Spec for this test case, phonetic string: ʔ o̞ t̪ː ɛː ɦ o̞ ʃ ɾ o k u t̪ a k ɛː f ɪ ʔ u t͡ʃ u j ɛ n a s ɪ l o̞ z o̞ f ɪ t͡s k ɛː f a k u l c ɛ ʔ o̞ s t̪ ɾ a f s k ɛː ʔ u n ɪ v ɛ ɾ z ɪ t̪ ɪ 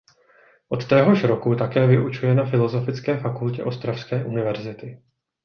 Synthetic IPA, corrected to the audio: ʔ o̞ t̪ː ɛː ɦ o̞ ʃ ɾ o k u t̪ a k ɛː v ɪ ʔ u t͡ʃ u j ɛ n a f ɪ l o̞ z o̞ f ɪ t͡s k ɛː f a k u l c ɛ ʔ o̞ s t̪ ɾ a f s k ɛː ʔ u n ɪ v ɛ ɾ z ɪ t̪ ɪ